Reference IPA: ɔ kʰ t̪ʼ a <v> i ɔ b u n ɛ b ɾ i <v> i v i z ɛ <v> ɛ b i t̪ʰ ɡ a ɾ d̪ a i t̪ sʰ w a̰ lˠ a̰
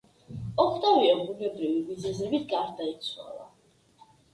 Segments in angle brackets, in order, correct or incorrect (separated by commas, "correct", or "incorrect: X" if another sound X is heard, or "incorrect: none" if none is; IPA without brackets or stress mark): correct, correct, incorrect: z